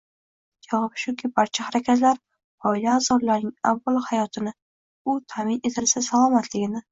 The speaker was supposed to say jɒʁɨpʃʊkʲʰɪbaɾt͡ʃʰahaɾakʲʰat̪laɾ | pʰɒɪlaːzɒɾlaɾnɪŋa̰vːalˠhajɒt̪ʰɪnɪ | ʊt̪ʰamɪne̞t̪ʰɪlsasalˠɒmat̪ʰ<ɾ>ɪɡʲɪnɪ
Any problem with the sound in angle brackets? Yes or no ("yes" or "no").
yes